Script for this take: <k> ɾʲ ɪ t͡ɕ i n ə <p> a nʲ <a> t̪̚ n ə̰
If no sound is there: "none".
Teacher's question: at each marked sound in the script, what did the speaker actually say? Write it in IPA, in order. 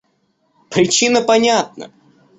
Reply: p, p, a

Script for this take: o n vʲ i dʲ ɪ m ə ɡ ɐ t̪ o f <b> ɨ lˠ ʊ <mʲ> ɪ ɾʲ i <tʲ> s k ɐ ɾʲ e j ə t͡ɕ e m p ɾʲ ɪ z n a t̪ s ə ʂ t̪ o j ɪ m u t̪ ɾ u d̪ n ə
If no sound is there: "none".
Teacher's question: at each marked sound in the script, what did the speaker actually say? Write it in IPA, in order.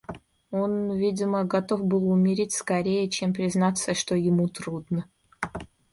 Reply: b, mʲ, tʲ

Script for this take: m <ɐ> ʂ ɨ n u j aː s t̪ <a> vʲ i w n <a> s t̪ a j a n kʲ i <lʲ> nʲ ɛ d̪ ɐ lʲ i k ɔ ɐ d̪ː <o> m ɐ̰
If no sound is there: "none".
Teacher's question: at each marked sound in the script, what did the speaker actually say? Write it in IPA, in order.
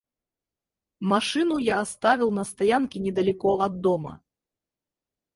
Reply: a, a, ɐ, none, ɔ

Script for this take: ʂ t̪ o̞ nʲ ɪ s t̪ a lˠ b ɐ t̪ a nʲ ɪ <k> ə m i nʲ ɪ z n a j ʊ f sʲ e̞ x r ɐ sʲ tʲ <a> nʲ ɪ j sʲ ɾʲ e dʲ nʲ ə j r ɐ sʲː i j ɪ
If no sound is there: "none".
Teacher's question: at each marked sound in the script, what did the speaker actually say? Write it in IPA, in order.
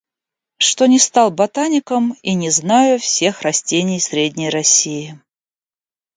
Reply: k, e

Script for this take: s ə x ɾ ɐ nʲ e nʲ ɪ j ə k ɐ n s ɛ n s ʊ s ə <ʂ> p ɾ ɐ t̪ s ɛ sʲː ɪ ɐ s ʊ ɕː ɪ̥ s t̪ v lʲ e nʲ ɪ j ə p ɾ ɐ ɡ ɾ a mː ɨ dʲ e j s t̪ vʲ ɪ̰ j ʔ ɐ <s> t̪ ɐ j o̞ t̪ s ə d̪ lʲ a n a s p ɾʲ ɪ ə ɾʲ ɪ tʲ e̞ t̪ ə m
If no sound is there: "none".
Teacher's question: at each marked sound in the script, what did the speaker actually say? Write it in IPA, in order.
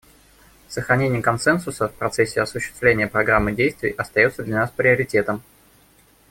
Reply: f, s

